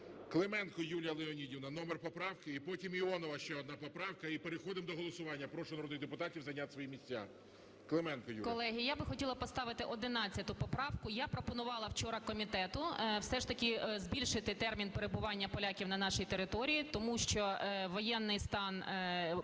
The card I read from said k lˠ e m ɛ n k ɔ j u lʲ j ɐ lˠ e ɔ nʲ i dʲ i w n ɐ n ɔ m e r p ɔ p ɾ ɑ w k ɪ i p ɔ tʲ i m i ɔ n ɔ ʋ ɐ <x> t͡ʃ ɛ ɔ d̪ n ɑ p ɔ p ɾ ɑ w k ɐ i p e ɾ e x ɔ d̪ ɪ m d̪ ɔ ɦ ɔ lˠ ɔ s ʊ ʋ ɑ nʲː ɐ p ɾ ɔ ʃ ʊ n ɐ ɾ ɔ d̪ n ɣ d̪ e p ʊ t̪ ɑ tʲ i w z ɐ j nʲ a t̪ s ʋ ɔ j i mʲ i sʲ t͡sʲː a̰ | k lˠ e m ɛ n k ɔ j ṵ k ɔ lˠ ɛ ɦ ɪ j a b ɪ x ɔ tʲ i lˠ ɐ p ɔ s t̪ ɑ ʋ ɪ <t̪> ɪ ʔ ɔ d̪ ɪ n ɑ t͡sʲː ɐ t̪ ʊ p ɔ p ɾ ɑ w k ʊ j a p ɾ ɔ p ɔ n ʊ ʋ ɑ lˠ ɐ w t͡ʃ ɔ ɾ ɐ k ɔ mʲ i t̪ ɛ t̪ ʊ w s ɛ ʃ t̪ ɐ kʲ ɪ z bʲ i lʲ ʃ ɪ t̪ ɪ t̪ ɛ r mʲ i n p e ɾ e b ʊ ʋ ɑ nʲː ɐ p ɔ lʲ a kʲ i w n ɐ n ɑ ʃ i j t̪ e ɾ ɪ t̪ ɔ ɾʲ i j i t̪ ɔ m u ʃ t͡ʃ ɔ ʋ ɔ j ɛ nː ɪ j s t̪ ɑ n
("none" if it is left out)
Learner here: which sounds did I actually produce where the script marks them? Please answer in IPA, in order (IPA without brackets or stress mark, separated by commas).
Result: ʃ, t̪